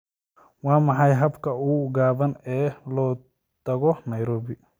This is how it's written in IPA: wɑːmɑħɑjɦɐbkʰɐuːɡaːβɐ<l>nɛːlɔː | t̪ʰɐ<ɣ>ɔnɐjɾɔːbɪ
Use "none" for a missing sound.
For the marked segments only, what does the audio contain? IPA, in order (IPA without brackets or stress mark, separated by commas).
none, ɣ